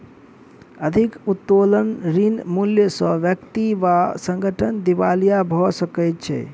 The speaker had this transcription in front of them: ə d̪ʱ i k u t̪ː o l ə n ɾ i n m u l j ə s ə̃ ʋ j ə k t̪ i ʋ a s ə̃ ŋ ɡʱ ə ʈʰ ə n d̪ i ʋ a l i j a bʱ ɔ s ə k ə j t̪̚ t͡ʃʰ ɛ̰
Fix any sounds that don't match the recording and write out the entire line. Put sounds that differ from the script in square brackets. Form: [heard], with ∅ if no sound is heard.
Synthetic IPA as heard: ə d̪ʱ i k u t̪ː o l ə n ɾ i n m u l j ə s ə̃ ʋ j ə k t̪ i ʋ a s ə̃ ŋ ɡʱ ə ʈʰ ə n d̪ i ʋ a l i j a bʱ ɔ s ə k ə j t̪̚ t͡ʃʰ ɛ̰